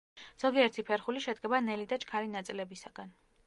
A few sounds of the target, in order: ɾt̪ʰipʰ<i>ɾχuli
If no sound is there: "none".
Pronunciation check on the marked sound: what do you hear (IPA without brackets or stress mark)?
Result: ɛ